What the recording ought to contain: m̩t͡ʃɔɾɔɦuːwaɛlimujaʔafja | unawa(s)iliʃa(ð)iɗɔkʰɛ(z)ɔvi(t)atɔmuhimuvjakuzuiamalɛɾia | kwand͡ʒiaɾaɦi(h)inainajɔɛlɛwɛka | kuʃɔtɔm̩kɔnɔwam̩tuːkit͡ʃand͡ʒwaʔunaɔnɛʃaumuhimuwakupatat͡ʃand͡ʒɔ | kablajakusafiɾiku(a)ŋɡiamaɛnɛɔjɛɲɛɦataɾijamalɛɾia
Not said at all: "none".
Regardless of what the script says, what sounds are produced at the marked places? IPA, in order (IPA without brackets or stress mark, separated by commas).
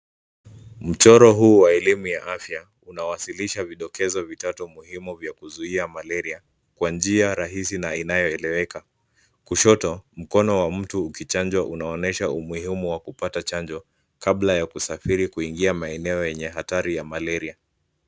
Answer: s, v, z, t, s, i